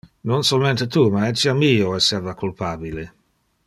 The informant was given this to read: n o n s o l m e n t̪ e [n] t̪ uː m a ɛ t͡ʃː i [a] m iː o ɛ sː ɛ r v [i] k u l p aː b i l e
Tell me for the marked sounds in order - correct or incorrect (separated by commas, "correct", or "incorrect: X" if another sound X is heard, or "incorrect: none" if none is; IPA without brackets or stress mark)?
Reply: incorrect: none, correct, incorrect: a